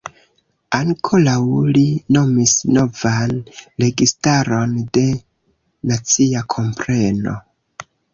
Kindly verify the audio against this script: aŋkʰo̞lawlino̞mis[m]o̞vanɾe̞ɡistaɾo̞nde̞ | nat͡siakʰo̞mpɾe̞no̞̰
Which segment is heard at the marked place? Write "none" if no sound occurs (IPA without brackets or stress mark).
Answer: n